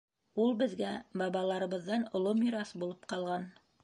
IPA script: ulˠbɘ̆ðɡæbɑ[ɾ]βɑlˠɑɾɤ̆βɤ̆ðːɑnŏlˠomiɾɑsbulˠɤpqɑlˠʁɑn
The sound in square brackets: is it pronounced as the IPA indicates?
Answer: no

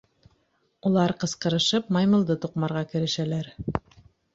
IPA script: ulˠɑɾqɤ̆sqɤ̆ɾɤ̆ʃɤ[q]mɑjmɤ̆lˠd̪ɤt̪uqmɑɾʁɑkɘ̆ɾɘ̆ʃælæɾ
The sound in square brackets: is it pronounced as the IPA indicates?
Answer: no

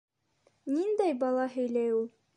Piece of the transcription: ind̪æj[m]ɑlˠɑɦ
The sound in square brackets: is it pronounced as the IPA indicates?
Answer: no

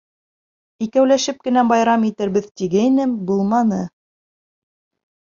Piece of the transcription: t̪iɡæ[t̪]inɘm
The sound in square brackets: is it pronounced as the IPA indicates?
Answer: no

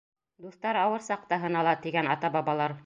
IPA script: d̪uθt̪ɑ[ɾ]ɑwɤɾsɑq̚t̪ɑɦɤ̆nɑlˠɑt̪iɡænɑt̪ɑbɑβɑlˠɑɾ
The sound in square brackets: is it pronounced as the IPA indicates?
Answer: yes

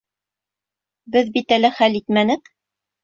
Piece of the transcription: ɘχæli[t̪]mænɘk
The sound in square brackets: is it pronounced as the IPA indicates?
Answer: yes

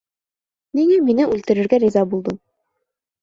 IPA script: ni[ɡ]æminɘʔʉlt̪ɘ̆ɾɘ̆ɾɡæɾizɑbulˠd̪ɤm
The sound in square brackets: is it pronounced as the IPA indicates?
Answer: no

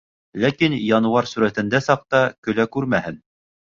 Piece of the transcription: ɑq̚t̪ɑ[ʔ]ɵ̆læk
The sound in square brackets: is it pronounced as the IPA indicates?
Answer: no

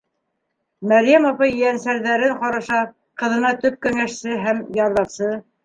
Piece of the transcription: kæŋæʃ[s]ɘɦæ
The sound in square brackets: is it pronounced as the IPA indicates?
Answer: yes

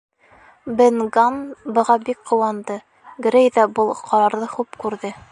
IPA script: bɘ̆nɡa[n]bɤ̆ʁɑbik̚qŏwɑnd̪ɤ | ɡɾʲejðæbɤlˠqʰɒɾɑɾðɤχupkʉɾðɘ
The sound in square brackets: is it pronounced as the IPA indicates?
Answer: yes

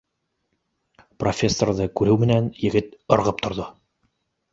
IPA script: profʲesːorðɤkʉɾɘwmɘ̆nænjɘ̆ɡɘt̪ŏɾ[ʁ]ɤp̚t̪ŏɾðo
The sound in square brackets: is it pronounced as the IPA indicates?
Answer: yes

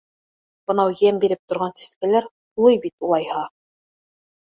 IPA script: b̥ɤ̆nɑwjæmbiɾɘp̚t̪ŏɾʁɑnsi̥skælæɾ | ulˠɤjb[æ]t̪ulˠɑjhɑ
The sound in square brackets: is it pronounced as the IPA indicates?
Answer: no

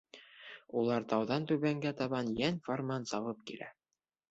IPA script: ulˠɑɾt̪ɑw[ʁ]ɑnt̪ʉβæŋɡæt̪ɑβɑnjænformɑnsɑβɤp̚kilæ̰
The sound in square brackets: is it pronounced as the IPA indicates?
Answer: no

